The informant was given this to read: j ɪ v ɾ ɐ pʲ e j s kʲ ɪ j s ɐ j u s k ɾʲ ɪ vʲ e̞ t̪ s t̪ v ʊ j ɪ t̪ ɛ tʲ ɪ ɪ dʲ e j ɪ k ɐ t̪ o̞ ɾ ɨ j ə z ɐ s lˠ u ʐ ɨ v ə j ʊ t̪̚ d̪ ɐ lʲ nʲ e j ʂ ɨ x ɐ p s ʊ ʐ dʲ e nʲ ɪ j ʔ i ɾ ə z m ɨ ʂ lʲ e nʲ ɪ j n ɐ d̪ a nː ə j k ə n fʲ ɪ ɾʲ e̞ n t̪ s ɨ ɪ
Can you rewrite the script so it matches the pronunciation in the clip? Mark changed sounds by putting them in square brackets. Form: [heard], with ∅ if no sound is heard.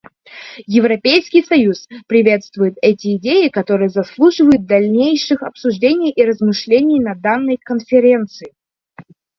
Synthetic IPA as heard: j ɪ v ɾ ɐ pʲ e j s kʲ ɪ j s ɐ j u s [p] ɾʲ ɪ vʲ e̞ t̪ s t̪ v ʊ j ɪ t̪ ɛ tʲ ɪ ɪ dʲ e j ɪ k ɐ t̪ o̞ ɾ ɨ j ə z ɐ s lˠ u ʐ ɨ v ə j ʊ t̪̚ d̪ ɐ lʲ nʲ e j ʂ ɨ x ɐ p s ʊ ʐ dʲ e nʲ ɪ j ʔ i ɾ ə z m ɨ ʂ lʲ e nʲ ɪ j n ɐ d̪ a nː ə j k ə n fʲ ɪ ɾʲ e̞ n t̪ s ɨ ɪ

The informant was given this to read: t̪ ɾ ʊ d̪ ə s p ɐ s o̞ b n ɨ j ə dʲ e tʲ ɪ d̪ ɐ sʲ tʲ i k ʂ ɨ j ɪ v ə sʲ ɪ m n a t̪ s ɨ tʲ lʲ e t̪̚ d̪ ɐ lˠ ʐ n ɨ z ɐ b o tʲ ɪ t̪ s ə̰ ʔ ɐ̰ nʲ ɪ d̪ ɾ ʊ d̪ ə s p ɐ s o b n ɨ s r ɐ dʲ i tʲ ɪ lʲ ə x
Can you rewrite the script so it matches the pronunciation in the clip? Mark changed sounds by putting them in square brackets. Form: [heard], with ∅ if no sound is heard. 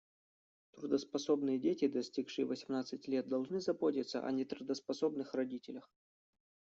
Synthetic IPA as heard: t̪ ɾ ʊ d̪ ə s p ɐ s o̞ b n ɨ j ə dʲ e tʲ ɪ d̪ ɐ sʲ tʲ i k ʂ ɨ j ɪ v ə sʲ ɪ m n a t̪ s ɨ tʲ lʲ e t̪̚ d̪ ɐ lˠ ʐ n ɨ z ɐ b o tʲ ɪ t̪ s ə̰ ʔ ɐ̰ nʲ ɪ [t̪] ɾ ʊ d̪ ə s p ɐ s o b n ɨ [x] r ɐ dʲ i tʲ ɪ lʲ ə x

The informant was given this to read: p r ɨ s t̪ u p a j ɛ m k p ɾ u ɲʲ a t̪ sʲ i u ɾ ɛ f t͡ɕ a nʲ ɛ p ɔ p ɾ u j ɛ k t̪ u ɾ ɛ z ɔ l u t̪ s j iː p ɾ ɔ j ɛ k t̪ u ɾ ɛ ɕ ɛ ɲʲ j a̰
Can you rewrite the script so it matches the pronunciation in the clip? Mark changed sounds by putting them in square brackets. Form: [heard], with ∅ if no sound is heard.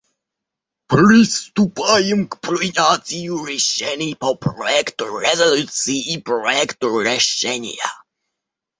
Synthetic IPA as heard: p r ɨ s t̪ u p a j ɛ m k p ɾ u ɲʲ a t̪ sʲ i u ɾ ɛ [ɕ] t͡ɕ [ɛ] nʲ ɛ p ɔ p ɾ [ɔ] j ɛ k t̪ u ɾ ɛ z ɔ l u t̪ s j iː p ɾ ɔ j ɛ k t̪ u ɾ ɛ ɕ ɛ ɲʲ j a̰

